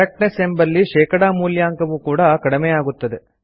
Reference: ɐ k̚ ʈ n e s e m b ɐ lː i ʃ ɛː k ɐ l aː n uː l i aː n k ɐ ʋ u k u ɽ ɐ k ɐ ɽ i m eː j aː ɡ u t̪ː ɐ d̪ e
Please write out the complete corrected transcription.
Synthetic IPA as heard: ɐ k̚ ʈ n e s e m b ɐ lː i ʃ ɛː k ɐ ɽ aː m uː l j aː ŋ k ɐ ʋ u k uː ɽ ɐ k ɐ ɽ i m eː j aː ɡ u t̪ː ɐ d̪ e